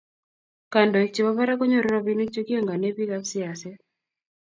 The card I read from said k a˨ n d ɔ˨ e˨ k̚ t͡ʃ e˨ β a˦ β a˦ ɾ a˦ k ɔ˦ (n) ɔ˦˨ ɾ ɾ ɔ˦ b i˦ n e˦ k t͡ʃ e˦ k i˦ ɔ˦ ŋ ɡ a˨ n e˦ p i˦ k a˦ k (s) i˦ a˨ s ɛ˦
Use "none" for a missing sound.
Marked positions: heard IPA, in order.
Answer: ɲ, s

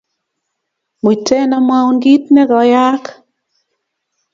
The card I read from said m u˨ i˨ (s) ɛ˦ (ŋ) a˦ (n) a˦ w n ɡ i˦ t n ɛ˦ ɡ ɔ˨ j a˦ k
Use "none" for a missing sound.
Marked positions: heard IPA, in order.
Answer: t, n, m

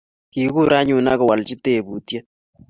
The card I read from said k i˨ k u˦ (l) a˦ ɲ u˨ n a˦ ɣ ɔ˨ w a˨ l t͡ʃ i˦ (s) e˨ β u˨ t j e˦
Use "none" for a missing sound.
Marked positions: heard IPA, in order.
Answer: ɾ, t

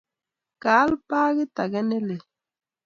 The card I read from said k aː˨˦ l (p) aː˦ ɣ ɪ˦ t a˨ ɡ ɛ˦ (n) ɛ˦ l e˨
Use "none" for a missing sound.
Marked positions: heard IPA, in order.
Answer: p, n

